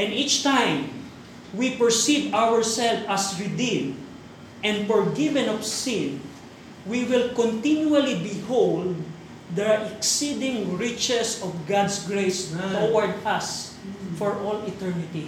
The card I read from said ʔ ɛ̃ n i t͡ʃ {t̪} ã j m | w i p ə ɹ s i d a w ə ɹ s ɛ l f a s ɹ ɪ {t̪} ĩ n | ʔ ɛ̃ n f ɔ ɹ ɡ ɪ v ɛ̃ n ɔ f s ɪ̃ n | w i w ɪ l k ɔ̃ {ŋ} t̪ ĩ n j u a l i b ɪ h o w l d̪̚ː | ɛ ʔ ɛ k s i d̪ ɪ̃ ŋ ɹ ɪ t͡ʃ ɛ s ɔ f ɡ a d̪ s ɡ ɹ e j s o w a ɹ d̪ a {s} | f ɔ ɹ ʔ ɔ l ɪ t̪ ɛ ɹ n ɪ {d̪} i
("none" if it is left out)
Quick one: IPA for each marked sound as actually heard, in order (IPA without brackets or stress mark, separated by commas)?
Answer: t̪, d̪, n, s, t̪